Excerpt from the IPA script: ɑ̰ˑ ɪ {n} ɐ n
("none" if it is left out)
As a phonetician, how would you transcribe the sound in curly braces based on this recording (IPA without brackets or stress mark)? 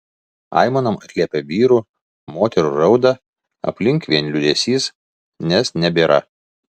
m